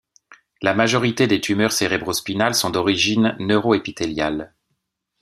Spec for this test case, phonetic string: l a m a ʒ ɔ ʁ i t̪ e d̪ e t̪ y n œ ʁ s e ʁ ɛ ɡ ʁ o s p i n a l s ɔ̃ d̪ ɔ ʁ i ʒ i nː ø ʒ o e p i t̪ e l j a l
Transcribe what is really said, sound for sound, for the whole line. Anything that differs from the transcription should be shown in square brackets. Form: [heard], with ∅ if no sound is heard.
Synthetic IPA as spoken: l a m a ʒ ɔ ʁ i t̪ e d̪ e t̪ y [m] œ ʁ s e ʁ ɛ [b] ʁ o s p i n a l s ɔ̃ d̪ ɔ ʁ i ʒ i nː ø [ʁ] o e p i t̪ e l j a l